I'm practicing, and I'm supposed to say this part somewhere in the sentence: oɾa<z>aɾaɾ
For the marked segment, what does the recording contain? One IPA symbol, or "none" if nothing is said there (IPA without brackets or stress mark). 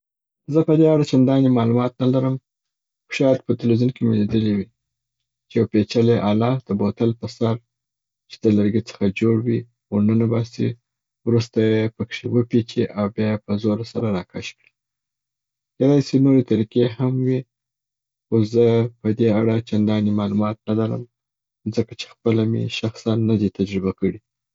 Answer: s